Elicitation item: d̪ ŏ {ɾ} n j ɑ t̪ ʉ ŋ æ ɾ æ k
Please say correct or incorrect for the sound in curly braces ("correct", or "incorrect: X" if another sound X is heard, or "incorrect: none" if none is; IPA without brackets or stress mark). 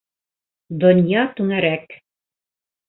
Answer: incorrect: none